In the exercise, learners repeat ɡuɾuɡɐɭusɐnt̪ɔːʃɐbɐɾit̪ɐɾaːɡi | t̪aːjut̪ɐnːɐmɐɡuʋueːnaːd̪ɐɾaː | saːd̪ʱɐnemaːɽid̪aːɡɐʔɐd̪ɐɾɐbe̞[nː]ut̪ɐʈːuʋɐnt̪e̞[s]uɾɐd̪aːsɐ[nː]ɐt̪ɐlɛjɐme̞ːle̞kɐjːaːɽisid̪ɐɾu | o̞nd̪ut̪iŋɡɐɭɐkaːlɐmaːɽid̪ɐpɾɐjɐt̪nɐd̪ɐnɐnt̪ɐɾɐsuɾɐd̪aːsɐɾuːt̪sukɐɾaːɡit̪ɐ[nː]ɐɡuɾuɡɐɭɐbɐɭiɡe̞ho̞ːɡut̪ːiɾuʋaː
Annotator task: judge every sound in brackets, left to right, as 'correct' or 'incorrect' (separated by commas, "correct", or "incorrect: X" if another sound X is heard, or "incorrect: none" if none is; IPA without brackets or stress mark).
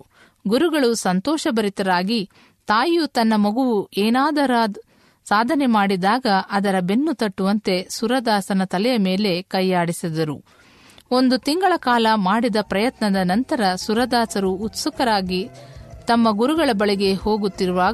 correct, correct, incorrect: n, incorrect: mː